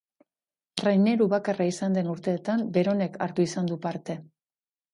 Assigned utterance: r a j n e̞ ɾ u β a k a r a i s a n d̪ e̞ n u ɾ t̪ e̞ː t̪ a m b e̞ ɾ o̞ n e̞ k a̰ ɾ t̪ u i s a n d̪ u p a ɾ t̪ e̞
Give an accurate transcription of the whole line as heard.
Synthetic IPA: r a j n e̞ ɾ u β a k a r a i s a n d̪ e̞ n u ɾ t̪ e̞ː t̪ a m b e̞ ɾ o̞ n e̞ k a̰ ɾ t̪ u i s a n d̪ u p a ɾ t̪ e̞